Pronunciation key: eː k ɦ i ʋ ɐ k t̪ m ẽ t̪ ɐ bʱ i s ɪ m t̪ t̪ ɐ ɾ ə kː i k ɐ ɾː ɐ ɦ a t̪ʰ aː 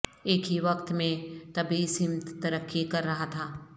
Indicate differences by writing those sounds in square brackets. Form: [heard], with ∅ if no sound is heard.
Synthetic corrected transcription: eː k ɦ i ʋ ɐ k t̪ m ẽ t̪ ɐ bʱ i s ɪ m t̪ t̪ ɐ ɾ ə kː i k ɐ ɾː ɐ ɦ a t̪ʰ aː